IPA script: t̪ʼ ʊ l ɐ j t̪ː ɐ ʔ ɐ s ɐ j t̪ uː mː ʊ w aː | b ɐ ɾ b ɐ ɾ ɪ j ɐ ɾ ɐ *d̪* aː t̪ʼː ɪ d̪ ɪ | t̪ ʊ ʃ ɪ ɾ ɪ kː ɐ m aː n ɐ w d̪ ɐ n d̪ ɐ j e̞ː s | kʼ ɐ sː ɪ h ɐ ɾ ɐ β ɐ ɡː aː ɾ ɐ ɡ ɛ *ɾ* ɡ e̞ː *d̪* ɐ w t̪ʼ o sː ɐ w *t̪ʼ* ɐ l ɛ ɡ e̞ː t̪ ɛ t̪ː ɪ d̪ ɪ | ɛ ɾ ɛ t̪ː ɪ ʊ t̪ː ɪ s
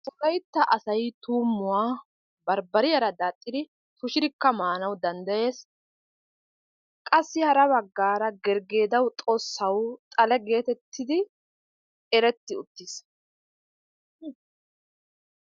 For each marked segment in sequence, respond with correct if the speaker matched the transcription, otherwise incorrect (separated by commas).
correct, correct, correct, correct